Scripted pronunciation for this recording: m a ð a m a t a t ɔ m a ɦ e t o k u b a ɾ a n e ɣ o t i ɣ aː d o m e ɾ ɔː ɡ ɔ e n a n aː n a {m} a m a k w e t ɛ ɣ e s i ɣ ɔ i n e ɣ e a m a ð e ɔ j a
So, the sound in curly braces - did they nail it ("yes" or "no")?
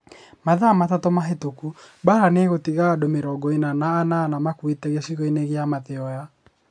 no